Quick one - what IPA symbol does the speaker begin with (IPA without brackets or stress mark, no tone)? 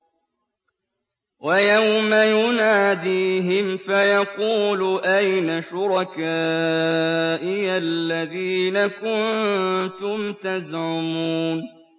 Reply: w